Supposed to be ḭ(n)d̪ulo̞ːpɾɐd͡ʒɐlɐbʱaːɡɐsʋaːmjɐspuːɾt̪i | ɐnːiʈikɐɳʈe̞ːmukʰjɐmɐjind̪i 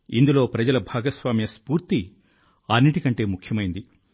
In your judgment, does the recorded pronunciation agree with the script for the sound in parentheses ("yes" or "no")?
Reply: yes